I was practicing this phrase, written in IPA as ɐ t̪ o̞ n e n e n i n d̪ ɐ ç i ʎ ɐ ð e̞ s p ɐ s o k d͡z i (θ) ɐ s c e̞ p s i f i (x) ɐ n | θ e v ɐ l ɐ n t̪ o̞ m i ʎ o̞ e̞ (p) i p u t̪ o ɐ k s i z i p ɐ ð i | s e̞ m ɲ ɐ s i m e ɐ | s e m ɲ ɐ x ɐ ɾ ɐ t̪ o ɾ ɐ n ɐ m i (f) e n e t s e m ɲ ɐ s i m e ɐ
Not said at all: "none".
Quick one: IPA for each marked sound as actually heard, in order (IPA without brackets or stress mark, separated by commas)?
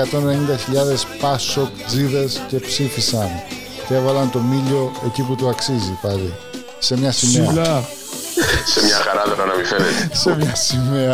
ð, s, c, f